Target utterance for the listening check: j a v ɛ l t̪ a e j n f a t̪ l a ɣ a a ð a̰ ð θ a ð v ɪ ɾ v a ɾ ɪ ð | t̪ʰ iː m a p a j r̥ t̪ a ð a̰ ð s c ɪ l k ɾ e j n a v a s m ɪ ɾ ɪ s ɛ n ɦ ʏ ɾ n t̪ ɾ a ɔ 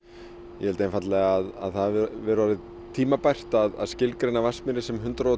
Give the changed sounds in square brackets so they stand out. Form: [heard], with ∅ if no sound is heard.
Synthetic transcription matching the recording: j [ɛ] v ɛ l t̪ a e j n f a t̪ l [ɛ] ɣ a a ð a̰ ð θ a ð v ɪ ɾ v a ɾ ɪ ð | t̪ʰ iː m a p a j r̥ t̪ a ð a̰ ð s c ɪ l k ɾ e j n a v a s m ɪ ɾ ɪ s ɛ [m] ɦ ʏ [∅] n t̪ ɾ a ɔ